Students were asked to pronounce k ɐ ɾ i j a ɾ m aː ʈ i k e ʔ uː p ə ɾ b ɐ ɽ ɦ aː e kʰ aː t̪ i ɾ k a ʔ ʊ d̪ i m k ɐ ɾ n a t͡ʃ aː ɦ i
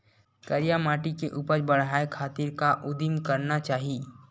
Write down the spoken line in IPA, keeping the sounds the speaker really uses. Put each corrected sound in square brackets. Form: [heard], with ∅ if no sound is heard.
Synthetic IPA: k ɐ ɾ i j a [∅] m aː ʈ i k e ʔ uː p ə ɾ b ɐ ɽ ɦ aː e kʰ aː t̪ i ɾ k a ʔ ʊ d̪ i m k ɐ ɾ n a t͡ʃ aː ɦ i